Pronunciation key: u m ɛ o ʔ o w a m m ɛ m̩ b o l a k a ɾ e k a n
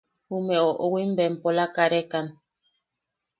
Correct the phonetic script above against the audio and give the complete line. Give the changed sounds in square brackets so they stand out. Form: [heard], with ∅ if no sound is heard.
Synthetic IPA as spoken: u m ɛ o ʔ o w [i] m [b] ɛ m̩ [p] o l a k a ɾ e k a n